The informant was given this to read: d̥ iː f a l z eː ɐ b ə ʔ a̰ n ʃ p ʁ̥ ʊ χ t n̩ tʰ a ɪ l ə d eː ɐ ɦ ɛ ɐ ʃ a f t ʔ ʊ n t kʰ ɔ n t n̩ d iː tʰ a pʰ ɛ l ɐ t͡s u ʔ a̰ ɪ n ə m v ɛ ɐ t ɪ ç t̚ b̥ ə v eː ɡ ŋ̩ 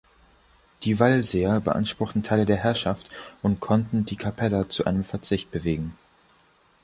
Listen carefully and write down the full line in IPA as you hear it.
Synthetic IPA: d̥ iː v a l z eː ɐ b ə ʔ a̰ n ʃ p ʁ̥ ʊ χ t n̩ tʰ a ɪ l ə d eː ɐ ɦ ɛ ɐ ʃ a f t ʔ ʊ n t kʰ ɔ n t n̩ d iː kʰ a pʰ ɛ l ɐ t͡s u ʔ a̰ ɪ n ə m f ɛ ɐ t͡s ɪ ç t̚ b̥ ə v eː ɡ ŋ̩

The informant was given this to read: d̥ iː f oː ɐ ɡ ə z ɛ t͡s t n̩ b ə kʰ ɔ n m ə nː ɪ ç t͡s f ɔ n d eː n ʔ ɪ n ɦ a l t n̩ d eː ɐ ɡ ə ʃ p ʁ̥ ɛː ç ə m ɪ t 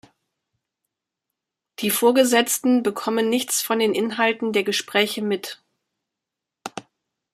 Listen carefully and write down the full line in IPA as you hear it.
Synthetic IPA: d̥ iː f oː ɐ ɡ ə z ɛ t͡s t n̩ b ə kʰ ɔ m ə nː ɪ ç t͡s f ɔ n d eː n ʔ ɪ n ɦ a l t n̩ d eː ɐ ɡ ə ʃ p ʁ̥ ɛː ç ə m ɪ t

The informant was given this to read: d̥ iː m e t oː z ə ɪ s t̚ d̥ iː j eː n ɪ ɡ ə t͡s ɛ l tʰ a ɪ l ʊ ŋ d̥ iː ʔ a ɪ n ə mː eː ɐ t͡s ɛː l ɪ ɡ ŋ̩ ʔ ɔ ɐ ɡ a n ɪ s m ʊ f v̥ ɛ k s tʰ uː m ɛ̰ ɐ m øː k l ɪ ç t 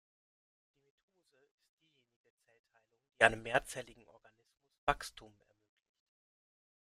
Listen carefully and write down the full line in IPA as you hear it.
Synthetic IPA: d̥ iː m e tʰ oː z ə ɪ s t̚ d̥ iː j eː n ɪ ɡ ə t͡s ɛ l tʰ a ɪ l ʊ ŋ d̥ iː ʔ a ɪ n ə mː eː ɐ t͡s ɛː l ɪ ɡ ŋ̩ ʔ ɔ ɐ ɡ a n ɪ s m ʊ s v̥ a k s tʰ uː m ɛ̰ ɐ m øː k l ɪ ç t

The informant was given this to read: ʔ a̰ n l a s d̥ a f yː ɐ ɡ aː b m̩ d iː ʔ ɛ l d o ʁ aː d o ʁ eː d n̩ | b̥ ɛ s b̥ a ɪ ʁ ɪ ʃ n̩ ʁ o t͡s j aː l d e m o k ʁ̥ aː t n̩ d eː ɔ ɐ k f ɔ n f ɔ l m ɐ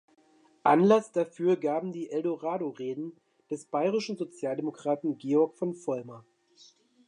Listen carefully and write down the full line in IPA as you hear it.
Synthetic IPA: ʔ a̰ n l a s d̥ a f yː ɐ ɡ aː b m̩ d iː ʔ ɛ l d o ʁ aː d o ʁ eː d n̩ | d̥ ɛ s b̥ a ɪ ʁ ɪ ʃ n̩ z o t͡s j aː l d e m o k ʁ̥ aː t n̩ ɡ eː ɔ ɐ k f ɔ n f ɔ l m ɐ

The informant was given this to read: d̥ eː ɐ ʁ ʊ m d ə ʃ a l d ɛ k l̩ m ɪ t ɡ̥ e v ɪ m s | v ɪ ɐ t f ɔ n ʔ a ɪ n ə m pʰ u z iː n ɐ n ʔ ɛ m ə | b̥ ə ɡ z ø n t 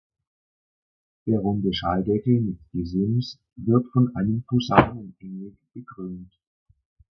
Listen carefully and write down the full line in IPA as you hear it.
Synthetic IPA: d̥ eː ɐ ʁ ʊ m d ə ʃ a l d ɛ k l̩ m ɪ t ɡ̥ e z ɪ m s | v ɪ ɐ t f ɔ n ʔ a ɪ n ə m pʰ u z aː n ə n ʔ ɛ ŋ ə | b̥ ə ɡ ʁ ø n t

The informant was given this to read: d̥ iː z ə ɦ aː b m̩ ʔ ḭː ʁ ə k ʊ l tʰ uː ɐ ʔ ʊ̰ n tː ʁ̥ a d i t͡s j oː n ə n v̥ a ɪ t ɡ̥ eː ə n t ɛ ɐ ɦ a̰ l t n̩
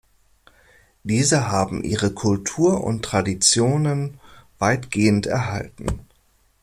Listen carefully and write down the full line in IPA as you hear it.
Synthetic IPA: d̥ iː z ə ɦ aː b m̩ ʔ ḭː ʁ ə kʰ ʊ l tʰ uː ɐ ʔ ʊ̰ n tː ʁ̥ a d i t͡s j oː n ə n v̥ a ɪ t ɡ̥ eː ə n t ɛ ɐ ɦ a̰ l t n̩

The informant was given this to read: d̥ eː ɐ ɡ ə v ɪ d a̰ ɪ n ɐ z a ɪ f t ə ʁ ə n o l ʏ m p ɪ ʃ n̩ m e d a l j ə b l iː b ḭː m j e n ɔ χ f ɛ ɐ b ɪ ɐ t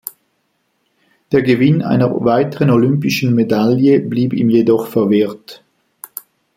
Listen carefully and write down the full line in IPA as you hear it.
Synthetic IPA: d̥ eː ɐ ɡ ə v ɪ n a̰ ɪ n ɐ v a ɪ t ə ʁ ə n o l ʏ m p ɪ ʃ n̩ m e d a l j ə b l iː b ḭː m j e d ɔ χ f ɛ ɐ v ɪ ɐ t

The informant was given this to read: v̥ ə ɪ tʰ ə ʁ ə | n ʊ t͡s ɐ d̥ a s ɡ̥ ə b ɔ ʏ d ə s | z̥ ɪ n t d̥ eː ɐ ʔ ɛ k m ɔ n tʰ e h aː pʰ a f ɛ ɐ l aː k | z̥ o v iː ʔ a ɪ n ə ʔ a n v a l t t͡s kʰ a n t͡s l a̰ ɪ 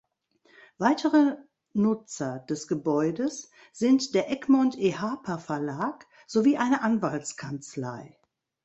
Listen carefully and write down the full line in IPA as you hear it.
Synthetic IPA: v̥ a ɪ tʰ ə ʁ ə | n ʊ t͡s ɐ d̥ ɛ s ɡ̥ ə b ɔ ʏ d ə s | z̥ ɪ n t d̥ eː ɐ ʔ ɛ k m ɔ n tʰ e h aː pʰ a f ɛ ɐ l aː k | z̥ o v iː ʔ a ɪ n ə ʔ a n v a l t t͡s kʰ a n t͡s l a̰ ɪ

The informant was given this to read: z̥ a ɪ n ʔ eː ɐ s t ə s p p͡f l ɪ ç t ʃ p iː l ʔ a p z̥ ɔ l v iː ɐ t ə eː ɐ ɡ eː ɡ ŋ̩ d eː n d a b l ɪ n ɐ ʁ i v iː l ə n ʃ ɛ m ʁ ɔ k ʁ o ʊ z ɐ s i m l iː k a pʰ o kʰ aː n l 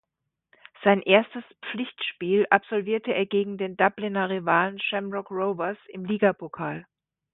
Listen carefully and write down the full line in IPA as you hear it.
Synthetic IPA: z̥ a ɪ n ʔ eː ɐ s t ə s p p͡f l ɪ ç t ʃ p iː l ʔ a p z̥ ɔ l v iː ɐ t ə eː ɐ ɡ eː ɡ ŋ̩ d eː n d a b l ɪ n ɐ ʁ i v aː l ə n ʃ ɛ m ʁ ɔ k ʁ o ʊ v ɐ s ɪ m l iː ɡ a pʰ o kʰ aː l

